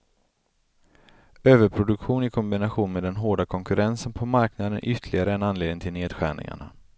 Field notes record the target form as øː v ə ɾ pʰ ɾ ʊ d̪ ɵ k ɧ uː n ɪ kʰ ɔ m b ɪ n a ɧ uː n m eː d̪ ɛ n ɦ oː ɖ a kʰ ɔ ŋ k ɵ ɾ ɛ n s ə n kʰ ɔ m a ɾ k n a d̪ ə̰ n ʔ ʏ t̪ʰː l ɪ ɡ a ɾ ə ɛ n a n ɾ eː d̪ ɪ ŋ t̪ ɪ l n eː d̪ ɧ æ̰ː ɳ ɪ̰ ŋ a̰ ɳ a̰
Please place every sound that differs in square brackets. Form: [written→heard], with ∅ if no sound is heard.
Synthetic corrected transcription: øː v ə ɾ pʰ ɾ ʊ d̪ ɵ k ɧ uː n ɪ kʰ ɔ m b ɪ n a ɧ uː n m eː d̪ ɛ n ɦ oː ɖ a kʰ ɔ ŋ k ɵ ɾ ɛ n s ə n [kʰ→pʰ] ɔ m a ɾ k n a d̪ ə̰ n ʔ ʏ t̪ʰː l ɪ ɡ a ɾ ə ɛ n a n [ɾ→l] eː d̪ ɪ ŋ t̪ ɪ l n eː d̪ ɧ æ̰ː ɳ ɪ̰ ŋ a̰ ɳ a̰